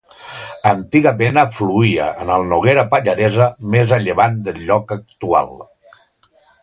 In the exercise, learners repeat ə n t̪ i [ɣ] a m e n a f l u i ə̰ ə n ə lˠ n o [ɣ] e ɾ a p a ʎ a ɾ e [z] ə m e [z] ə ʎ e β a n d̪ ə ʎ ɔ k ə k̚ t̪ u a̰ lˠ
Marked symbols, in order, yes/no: yes, yes, yes, yes

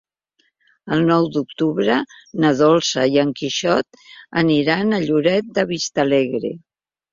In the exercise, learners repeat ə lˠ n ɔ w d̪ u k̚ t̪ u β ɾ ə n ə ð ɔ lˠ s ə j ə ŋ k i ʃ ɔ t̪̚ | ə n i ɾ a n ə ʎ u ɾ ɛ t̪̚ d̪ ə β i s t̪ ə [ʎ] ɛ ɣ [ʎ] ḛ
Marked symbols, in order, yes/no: no, no

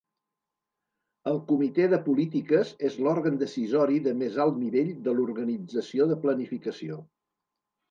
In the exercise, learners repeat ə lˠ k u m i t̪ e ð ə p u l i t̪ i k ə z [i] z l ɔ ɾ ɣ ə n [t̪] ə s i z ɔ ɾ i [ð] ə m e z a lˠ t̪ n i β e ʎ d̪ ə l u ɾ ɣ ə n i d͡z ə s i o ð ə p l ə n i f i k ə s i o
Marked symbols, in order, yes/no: no, no, yes

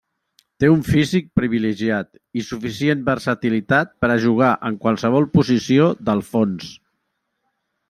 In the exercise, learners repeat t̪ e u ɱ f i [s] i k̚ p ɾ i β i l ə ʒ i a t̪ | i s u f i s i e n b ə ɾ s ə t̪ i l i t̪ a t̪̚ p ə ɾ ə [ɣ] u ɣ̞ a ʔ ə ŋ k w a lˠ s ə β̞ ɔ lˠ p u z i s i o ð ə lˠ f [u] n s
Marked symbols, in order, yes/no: no, no, no

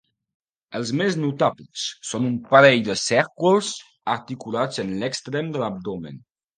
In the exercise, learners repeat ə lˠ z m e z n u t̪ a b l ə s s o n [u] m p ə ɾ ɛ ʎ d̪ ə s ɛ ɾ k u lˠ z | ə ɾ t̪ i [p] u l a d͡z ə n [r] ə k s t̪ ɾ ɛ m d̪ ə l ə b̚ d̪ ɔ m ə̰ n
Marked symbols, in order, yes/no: yes, no, no

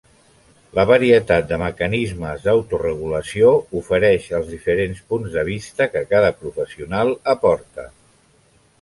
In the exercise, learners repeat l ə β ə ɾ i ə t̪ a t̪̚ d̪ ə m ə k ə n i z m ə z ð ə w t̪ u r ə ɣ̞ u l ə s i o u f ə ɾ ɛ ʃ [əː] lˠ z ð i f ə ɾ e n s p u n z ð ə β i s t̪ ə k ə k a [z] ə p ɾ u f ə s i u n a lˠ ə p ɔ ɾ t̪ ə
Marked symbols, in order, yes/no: no, no

